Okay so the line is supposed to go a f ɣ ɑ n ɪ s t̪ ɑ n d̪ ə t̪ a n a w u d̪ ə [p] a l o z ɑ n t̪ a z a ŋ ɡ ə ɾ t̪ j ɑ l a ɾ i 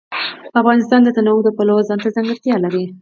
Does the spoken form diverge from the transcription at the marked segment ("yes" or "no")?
no